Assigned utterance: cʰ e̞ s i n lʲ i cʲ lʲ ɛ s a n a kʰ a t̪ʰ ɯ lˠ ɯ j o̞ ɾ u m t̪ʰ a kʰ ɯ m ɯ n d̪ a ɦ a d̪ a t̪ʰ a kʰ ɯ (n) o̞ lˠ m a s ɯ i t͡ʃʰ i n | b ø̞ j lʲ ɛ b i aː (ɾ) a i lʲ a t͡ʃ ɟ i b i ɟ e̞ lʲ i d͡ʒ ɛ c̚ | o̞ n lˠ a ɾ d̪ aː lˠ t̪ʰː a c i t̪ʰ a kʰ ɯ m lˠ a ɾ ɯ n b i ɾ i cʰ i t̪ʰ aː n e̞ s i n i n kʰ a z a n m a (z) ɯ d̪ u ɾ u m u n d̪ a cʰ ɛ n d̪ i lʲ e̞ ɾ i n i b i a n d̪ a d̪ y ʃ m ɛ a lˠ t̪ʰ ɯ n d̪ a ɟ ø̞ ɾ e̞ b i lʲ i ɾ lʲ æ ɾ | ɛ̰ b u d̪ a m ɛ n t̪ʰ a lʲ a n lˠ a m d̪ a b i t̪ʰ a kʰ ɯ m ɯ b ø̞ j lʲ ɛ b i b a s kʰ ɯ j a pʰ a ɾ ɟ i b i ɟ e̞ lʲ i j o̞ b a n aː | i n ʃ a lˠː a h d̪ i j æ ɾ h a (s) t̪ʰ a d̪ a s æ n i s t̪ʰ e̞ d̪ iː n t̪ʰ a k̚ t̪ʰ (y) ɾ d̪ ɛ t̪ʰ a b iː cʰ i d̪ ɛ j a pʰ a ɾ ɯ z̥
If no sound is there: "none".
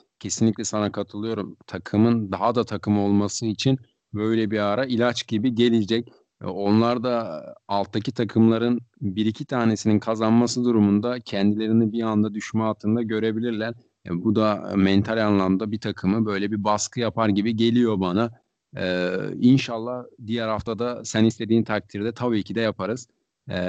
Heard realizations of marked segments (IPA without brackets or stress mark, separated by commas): m, ɾ, s, f, i